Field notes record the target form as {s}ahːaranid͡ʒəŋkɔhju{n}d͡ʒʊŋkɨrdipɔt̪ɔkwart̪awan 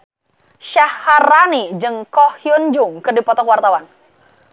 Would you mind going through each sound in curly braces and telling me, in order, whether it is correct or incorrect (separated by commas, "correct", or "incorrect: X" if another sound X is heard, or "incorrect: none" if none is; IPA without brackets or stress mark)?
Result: incorrect: ʃ, correct